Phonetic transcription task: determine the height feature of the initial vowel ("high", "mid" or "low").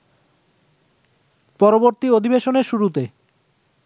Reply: mid